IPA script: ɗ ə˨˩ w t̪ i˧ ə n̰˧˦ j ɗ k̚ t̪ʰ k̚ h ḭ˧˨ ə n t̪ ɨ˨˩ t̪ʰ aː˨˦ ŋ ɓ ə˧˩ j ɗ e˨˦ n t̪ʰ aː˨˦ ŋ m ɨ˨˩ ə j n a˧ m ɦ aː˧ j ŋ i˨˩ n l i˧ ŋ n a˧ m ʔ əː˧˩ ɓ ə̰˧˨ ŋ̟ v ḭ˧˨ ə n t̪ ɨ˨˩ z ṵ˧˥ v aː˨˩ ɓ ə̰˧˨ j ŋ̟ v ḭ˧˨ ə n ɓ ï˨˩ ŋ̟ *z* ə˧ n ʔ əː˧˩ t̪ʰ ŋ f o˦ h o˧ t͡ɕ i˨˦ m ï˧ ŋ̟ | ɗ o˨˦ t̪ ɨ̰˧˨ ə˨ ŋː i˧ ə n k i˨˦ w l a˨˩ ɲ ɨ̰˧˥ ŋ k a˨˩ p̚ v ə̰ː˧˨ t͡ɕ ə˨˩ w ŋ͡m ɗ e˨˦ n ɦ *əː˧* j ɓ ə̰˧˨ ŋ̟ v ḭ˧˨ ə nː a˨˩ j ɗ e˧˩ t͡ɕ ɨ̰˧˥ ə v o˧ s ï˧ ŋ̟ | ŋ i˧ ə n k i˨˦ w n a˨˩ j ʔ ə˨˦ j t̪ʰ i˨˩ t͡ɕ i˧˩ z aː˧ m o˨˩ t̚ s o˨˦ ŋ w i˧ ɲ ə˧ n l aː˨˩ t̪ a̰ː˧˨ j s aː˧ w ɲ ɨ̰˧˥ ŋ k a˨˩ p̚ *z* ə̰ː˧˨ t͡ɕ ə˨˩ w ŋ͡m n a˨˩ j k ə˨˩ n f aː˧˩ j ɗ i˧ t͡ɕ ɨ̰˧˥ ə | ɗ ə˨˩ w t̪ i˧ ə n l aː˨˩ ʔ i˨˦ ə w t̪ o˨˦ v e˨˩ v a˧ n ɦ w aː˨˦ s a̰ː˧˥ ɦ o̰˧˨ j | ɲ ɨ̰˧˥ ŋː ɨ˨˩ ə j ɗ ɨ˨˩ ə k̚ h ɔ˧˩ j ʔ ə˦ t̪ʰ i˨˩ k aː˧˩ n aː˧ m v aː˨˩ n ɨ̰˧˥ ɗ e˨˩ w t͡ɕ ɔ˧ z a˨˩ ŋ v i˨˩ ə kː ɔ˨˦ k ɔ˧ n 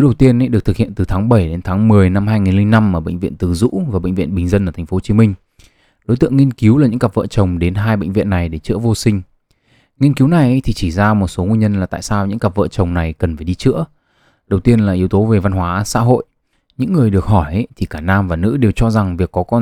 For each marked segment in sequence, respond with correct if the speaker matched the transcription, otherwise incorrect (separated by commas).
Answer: correct, incorrect, incorrect